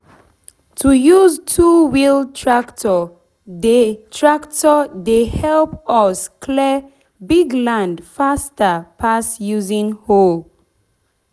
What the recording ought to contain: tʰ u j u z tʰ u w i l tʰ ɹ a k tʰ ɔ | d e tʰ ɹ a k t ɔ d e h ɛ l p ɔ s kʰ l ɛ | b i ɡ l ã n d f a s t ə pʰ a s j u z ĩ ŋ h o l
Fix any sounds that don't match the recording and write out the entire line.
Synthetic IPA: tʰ u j u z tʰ u w i l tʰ ɹ a k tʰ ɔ | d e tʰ ɹ a k t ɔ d e h ɛ l p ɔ s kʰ l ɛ | b i ɡ l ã n d f a s t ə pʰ a s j u z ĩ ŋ h o l